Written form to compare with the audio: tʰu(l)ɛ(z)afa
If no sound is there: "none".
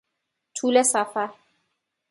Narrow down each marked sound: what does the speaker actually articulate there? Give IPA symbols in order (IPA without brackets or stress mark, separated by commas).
l, s